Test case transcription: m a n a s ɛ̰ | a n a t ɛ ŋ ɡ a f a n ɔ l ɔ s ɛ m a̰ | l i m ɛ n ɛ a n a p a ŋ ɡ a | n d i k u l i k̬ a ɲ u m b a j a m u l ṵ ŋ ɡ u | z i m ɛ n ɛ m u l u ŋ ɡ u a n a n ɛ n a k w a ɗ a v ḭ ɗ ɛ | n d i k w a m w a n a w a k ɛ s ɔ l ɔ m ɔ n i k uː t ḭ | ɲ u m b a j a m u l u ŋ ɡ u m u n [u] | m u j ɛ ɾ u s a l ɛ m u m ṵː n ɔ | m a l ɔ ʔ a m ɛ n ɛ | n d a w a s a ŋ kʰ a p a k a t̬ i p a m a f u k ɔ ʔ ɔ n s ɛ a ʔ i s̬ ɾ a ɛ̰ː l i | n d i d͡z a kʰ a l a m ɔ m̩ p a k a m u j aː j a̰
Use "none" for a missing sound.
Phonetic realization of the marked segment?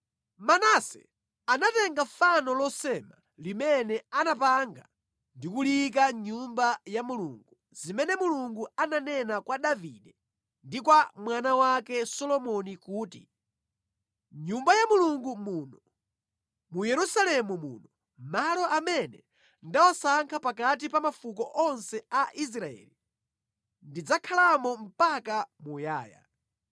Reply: ɔ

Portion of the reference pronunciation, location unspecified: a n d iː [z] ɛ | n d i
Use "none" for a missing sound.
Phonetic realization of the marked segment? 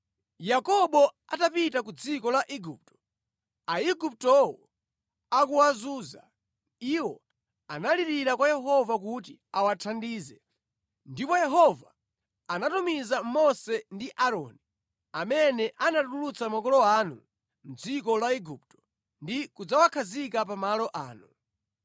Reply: z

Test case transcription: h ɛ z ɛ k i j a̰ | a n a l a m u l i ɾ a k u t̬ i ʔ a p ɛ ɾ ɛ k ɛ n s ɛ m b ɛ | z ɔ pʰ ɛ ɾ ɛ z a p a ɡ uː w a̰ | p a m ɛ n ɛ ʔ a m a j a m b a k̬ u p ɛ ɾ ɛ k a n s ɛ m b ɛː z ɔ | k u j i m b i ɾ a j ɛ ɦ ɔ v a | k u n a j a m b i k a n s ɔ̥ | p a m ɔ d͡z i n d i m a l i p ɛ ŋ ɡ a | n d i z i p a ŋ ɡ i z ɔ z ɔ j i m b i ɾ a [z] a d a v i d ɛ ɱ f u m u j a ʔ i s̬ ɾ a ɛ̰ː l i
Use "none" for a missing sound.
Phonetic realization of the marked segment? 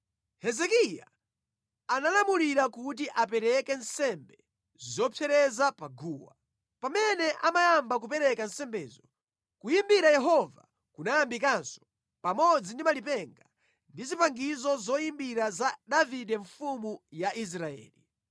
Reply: z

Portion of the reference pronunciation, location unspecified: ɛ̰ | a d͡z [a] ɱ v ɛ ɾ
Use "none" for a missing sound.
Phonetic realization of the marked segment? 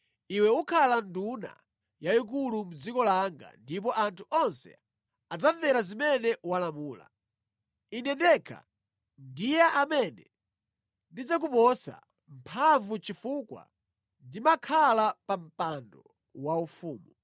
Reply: a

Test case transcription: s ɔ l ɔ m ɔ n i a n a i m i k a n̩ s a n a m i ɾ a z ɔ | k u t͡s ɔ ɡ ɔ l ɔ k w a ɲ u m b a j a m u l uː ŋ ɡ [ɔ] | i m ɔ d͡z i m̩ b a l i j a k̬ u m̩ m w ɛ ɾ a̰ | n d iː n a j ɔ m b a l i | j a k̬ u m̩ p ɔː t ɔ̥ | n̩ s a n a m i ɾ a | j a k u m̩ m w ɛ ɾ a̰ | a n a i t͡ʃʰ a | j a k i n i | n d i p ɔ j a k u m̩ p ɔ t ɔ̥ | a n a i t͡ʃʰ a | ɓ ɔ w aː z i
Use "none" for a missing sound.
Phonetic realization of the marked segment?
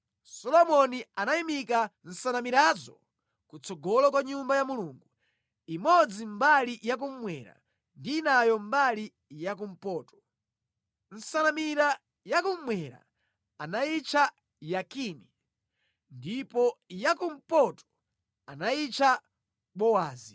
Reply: u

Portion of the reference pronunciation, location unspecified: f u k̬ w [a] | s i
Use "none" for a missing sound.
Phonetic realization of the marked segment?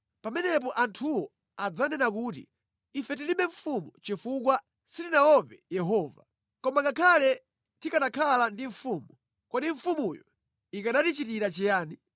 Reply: a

